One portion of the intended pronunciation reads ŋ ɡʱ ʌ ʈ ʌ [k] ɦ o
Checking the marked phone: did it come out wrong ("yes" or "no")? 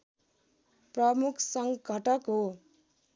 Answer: no